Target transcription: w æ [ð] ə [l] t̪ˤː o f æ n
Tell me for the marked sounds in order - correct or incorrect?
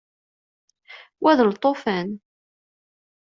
correct, correct

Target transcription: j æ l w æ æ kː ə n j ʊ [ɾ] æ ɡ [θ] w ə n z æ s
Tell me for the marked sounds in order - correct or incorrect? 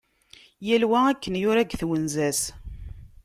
correct, correct

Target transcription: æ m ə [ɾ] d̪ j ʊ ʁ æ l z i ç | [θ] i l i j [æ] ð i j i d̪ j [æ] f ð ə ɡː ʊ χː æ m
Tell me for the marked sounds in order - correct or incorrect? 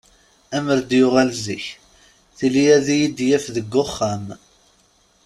correct, correct, correct, correct

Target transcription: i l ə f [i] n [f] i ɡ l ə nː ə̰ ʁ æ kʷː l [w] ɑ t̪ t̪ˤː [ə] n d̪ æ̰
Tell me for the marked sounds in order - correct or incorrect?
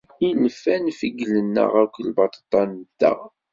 incorrect: æ, correct, incorrect: b, incorrect: ɑ

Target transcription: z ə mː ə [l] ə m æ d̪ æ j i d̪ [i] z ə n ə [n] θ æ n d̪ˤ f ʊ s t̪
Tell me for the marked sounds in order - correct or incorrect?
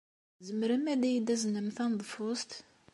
incorrect: ɾ, incorrect: æ, incorrect: m

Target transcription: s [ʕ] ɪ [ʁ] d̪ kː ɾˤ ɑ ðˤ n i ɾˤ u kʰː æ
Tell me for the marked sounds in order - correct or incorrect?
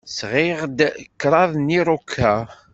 incorrect: ʁ, correct

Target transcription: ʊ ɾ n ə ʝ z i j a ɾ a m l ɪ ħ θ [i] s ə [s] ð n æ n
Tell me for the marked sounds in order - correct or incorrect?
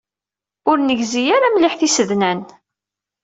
correct, incorrect: none

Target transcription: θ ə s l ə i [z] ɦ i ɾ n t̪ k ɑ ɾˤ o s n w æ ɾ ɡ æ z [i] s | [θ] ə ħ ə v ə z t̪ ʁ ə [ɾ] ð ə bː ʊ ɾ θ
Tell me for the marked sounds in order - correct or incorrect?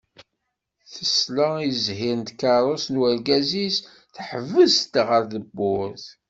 correct, correct, correct, correct

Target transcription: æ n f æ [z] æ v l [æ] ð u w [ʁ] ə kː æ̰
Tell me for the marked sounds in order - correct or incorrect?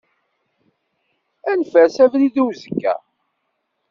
incorrect: s, incorrect: i, incorrect: z

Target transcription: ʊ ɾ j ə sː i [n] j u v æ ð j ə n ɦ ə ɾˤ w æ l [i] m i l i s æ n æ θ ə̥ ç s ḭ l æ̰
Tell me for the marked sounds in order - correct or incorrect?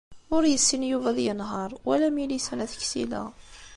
correct, incorrect: æ

